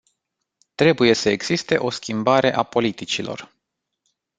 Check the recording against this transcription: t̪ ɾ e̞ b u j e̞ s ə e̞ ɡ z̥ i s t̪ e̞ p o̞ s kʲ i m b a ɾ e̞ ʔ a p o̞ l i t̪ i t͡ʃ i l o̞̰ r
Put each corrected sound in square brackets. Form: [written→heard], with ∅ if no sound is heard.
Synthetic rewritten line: t̪ ɾ e̞ b u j e̞ s ə e̞ ɡ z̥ i s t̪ e̞ [p→ʔ] o̞ s kʲ i m b a ɾ e̞ ʔ a p o̞ l i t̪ i t͡ʃ i l o̞̰ r